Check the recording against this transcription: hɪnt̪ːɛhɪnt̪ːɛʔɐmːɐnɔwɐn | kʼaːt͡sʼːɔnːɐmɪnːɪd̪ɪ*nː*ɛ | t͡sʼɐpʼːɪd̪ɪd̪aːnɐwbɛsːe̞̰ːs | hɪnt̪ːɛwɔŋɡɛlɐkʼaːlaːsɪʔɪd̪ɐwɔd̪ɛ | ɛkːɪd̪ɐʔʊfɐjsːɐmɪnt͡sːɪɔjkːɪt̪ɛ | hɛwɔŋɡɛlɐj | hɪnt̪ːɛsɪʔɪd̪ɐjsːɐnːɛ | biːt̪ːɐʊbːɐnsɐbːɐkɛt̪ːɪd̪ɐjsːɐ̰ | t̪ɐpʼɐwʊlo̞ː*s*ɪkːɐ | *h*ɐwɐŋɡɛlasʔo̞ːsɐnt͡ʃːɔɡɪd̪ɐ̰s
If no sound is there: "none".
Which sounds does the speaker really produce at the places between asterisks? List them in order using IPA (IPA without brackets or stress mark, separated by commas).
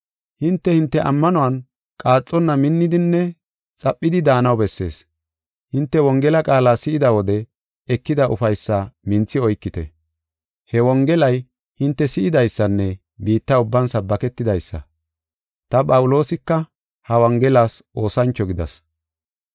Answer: nː, s, h